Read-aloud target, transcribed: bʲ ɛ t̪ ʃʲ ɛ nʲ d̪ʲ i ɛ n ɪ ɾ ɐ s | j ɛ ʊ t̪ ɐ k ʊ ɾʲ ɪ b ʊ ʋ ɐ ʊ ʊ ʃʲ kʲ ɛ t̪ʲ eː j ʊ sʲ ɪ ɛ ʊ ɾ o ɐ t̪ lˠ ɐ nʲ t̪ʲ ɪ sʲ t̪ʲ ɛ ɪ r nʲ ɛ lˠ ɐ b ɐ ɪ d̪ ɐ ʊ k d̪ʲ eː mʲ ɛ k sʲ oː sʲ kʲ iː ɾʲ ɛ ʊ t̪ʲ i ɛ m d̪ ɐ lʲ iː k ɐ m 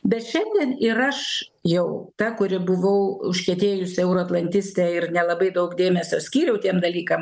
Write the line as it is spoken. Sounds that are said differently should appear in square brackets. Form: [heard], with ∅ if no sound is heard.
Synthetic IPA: bʲ ɛ t̪ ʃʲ ɛ nʲ d̪ʲ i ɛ n ɪ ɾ ɐ [ʃ] | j ɛ ʊ t̪ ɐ k ʊ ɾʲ ɪ b ʊ ʋ ɐ ʊ ʊ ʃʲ kʲ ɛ t̪ʲ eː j ʊ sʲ ɪ ɛ ʊ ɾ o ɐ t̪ lˠ ɐ nʲ t̪ʲ ɪ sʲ t̪ʲ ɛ ɪ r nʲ ɛ lˠ ɐ b ɐ ɪ d̪ ɐ ʊ k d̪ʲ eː mʲ ɛ [∅] sʲ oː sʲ kʲ iː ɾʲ ɛ ʊ t̪ʲ i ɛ m d̪ ɐ lʲ iː k ɐ m